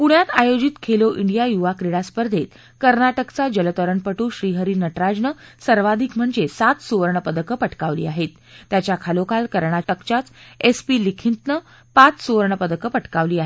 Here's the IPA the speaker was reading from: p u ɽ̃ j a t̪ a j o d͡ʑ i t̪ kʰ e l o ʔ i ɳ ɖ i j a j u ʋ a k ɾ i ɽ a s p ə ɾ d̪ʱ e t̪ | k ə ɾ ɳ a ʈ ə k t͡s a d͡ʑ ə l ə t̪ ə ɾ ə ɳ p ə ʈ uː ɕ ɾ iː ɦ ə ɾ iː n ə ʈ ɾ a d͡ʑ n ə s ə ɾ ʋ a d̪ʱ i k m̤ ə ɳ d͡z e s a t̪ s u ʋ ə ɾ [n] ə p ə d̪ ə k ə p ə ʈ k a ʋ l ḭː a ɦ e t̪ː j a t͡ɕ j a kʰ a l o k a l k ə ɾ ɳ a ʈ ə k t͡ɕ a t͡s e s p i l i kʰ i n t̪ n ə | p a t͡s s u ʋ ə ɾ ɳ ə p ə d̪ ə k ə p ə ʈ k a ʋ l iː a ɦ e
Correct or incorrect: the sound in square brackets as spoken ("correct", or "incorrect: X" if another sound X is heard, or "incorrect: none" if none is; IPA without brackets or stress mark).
incorrect: ɳ